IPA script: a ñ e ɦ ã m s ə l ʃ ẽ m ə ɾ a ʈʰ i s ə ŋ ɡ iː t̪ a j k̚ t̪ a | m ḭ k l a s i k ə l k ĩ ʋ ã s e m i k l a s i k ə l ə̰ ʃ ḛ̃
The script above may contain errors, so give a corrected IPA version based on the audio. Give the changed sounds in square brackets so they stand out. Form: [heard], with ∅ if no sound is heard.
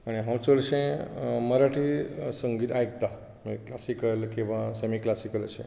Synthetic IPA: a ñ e ɦ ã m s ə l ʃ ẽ m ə ɾ a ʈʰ i s ə ŋ ɡ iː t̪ a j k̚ t̪ a | m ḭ k l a s i k ə l k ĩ ʋ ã s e m i k l a s i k ə l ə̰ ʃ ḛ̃